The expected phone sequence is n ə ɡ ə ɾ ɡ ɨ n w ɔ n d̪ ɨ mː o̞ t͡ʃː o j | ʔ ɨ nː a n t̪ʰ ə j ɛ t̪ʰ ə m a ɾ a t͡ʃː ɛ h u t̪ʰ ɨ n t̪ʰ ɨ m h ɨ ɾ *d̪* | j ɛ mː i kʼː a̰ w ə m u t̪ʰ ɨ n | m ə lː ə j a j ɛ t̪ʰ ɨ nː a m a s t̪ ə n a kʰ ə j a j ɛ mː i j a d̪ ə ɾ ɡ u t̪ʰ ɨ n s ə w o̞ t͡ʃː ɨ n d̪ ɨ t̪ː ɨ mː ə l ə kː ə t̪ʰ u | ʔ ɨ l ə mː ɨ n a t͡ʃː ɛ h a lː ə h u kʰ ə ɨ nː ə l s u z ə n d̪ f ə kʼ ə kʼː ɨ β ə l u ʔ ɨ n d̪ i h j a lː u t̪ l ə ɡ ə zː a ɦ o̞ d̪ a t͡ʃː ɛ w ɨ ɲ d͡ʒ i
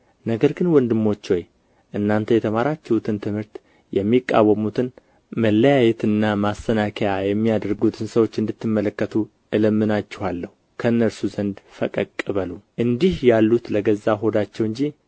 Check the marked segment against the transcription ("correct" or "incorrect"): incorrect